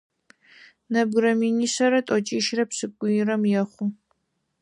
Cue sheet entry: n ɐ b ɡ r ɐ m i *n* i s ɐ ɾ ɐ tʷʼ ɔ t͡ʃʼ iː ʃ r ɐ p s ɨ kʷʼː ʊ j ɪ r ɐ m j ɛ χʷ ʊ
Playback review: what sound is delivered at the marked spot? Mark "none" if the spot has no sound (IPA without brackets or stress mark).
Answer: n